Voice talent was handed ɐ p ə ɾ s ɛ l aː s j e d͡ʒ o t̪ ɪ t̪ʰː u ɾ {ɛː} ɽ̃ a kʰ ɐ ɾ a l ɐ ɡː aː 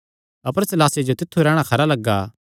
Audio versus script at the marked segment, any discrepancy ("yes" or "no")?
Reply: no